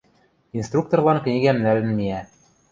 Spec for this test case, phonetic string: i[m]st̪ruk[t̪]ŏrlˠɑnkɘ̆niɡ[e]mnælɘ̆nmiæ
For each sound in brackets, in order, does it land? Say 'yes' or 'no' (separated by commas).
no, yes, no